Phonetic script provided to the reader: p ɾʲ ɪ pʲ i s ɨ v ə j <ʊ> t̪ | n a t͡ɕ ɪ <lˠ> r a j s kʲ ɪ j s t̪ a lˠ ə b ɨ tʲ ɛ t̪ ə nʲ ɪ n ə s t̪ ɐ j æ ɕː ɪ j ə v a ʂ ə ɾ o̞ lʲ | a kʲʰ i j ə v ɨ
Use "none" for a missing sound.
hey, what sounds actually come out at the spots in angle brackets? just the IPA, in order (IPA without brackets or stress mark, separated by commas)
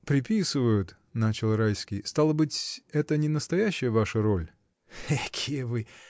ʊ, lˠ